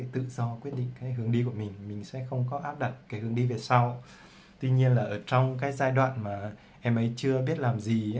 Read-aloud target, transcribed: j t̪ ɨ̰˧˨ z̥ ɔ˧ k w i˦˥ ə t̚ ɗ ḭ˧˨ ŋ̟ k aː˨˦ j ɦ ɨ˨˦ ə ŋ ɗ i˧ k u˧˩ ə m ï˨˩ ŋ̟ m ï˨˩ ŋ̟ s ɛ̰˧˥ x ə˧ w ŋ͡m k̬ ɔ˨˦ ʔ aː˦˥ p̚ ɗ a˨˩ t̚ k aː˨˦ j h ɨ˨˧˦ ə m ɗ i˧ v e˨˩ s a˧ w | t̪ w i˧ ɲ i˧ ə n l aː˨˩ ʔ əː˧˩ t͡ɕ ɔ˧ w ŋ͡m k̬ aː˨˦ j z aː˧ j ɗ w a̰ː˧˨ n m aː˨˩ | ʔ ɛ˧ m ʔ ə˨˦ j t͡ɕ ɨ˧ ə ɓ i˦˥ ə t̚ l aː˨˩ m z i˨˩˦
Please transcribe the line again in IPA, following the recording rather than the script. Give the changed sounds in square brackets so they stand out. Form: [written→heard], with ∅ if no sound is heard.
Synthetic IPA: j t̪ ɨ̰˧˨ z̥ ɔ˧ k w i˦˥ ə t̚ ɗ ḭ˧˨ ŋ̟ k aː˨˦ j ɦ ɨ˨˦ ə ŋ ɗ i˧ k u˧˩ ə m ï˨˩ ŋ̟ m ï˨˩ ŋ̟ s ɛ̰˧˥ x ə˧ w ŋ͡m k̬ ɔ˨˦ ʔ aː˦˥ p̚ ɗ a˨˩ t̚ k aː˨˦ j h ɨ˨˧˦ ə [m→ŋ] ɗ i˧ v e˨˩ s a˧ w | t̪ w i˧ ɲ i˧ ə n l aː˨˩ ʔ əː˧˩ t͡ɕ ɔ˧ w ŋ͡m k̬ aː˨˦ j z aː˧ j ɗ w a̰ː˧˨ n m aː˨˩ | ʔ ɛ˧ m ʔ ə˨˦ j t͡ɕ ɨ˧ ə ɓ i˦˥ ə t̚ l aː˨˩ m z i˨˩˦

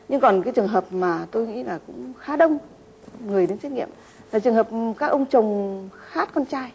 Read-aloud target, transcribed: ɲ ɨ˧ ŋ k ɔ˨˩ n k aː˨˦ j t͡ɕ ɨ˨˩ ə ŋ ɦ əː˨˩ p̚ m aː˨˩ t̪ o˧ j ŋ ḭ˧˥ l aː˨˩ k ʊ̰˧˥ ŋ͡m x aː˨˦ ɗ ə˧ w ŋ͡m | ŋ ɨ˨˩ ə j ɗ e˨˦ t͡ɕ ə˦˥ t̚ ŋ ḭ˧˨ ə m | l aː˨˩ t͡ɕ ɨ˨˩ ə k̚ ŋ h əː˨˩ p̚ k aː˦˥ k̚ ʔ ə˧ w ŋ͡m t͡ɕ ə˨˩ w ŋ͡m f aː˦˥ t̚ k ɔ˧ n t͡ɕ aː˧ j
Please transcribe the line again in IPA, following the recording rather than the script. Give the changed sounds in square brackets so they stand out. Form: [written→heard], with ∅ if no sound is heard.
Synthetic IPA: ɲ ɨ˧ ŋ k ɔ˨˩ n k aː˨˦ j t͡ɕ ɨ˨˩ ə ŋ ɦ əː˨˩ p̚ m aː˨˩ t̪ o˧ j ŋ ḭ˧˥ l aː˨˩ k ʊ̰˧˥ ŋ͡m x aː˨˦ ɗ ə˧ w ŋ͡m | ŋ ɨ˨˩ ə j ɗ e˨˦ t͡ɕ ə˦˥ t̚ ŋ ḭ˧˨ ə m | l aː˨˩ t͡ɕ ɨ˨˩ ə [k̚→∅] ŋ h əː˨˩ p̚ k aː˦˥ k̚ ʔ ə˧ w ŋ͡m t͡ɕ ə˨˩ w ŋ͡m [f→x] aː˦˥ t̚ k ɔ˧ n t͡ɕ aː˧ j

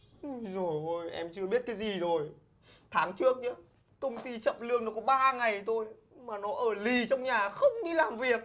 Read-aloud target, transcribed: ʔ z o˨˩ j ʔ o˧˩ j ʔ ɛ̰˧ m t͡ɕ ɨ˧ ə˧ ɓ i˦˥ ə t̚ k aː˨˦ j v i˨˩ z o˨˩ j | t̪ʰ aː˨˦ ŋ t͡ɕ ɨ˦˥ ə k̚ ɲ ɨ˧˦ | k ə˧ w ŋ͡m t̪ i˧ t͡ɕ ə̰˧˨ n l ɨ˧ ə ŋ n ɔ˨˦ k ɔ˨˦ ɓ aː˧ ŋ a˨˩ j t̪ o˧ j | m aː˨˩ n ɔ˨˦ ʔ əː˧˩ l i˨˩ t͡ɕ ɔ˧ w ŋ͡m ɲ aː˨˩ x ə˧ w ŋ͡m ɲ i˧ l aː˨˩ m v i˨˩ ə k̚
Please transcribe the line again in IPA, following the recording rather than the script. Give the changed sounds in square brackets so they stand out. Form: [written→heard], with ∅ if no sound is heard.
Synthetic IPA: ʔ z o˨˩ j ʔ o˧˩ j ʔ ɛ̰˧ m t͡ɕ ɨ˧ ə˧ ɓ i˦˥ ə t̚ k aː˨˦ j [v→z] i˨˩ z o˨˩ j | t̪ʰ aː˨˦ ŋ t͡ɕ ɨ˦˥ ə k̚ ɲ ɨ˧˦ | k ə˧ w ŋ͡m t̪ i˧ t͡ɕ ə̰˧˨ [n→m] l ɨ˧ ə ŋ n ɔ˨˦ k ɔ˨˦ ɓ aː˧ ŋ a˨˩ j t̪ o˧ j | m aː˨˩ n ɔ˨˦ ʔ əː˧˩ l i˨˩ t͡ɕ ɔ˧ w ŋ͡m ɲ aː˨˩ x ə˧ w ŋ͡m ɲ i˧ l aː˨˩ m v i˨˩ ə k̚

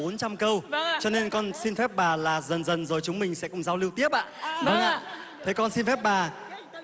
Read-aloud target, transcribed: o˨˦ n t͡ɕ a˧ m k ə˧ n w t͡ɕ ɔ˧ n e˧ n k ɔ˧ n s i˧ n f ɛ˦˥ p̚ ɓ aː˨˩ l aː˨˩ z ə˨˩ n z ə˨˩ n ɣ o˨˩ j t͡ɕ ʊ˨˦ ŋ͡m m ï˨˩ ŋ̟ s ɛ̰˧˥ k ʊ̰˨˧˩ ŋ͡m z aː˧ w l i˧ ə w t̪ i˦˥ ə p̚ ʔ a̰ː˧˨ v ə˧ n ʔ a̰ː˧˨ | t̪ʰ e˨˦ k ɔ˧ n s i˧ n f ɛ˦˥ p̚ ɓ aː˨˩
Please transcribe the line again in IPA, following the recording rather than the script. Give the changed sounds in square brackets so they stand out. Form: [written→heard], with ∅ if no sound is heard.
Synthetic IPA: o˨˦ n t͡ɕ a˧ m k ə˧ [n→∅] w t͡ɕ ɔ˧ n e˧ n k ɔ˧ n s i˧ n f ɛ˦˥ p̚ ɓ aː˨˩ l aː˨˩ z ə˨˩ n z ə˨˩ n [ɣ→z] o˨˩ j t͡ɕ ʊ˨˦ ŋ͡m m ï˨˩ ŋ̟ s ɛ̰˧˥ k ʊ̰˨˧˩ ŋ͡m z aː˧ w l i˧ ə w t̪ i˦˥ ə p̚ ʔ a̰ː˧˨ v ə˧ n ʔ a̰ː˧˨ | t̪ʰ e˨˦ k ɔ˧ n s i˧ n f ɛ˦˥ p̚ ɓ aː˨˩

